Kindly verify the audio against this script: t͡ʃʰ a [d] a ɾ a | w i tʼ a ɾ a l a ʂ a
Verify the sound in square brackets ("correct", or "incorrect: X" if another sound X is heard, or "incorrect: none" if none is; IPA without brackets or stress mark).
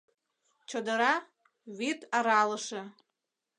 correct